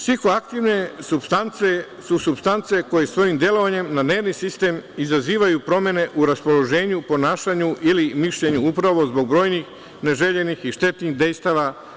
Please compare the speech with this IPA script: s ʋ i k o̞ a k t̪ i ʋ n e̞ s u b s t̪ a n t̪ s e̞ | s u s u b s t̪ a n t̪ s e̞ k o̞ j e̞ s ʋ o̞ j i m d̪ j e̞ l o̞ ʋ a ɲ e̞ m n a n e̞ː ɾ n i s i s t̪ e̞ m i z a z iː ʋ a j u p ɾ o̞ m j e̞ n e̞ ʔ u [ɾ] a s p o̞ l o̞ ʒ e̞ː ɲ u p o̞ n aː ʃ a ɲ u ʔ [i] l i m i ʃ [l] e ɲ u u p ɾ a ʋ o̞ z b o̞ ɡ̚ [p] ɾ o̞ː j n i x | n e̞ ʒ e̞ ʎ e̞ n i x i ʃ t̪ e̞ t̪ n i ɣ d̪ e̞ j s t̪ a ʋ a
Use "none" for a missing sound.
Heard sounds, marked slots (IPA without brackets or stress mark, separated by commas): ɾ, i, ʎ, b